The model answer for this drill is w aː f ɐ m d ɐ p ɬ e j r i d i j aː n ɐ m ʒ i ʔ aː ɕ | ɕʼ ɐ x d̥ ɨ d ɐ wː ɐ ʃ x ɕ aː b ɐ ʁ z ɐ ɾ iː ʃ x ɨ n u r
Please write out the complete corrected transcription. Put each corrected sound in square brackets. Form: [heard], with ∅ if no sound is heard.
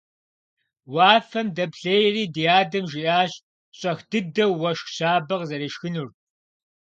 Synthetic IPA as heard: w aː f ɐ m d ɐ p ɬ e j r [iː] d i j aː [d] ɐ m ʒ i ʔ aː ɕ | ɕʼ ɐ x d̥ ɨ d ɐ wː ɐ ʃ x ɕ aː b ɐ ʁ z ɐ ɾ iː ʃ x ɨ n u r